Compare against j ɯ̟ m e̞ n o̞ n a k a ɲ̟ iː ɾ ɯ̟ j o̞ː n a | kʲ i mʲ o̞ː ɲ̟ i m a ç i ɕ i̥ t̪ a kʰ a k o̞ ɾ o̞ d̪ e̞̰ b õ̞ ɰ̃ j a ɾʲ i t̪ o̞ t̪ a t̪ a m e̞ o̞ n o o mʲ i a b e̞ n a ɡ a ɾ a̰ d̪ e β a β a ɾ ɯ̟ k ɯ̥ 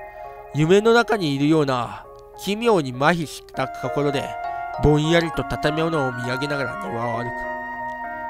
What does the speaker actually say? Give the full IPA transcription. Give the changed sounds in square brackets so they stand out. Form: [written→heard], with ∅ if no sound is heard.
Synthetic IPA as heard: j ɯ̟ m e̞ n o̞ n a k a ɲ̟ iː ɾ ɯ̟ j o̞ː n a | kʲ i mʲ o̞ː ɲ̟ i m a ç i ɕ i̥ t̪ a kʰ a k o̞ ɾ o̞ d̪ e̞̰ b õ̞ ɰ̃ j a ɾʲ i t̪ o̞ t̪ a t̪ a m e̞ o̞ n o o mʲ i a [b→ɡ] e̞ n a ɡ a ɾ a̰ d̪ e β a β a ɾ ɯ̟ k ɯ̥

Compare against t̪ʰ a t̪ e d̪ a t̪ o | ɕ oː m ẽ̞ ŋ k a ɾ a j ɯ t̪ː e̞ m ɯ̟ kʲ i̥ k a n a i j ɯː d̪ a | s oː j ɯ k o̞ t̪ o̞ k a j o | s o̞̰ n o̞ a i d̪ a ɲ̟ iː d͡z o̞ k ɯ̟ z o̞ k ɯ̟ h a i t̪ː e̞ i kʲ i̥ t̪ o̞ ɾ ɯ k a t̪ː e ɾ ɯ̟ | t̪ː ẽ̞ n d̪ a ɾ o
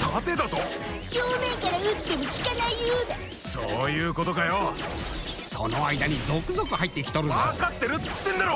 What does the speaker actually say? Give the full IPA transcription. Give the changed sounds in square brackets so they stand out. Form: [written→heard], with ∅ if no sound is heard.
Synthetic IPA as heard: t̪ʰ a t̪ e d̪ a t̪ o | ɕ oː m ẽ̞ ŋ k a ɾ a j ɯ t̪ː e̞ m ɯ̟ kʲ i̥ k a n a i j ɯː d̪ a | s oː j [ɯ→ɯː] k o̞ t̪ o̞ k a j o | s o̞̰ n o̞ a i d̪ a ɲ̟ [iː→i] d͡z o̞ k ɯ̟ z o̞ k ɯ̟ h a i t̪ː e̞ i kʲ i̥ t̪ o̞ ɾ ɯ k a t̪ː e ɾ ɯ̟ | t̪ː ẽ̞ n d̪ a ɾ o

